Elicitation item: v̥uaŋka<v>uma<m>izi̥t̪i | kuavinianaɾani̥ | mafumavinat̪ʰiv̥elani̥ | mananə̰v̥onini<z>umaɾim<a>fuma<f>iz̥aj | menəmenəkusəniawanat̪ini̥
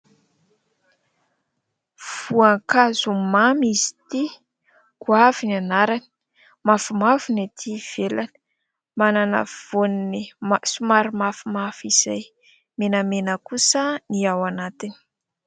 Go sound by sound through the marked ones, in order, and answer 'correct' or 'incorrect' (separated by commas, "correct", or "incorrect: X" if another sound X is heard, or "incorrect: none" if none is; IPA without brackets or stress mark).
incorrect: z, correct, incorrect: s, correct, correct